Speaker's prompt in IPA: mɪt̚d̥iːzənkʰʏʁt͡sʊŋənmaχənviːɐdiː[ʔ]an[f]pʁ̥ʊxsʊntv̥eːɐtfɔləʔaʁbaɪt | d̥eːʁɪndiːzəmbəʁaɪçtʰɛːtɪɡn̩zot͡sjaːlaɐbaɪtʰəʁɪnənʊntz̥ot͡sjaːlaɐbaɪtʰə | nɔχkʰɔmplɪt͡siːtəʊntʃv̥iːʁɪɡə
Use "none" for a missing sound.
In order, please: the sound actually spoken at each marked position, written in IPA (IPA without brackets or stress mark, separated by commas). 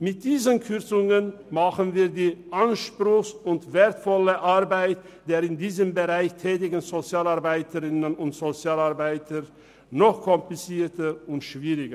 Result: ʔ, ʃ